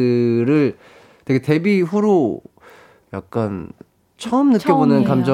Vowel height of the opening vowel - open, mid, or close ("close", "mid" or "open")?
close